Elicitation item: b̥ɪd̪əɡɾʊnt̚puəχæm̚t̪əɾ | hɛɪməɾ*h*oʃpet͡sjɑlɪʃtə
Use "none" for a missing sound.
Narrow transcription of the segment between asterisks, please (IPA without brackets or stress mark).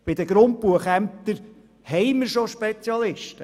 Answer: ʃ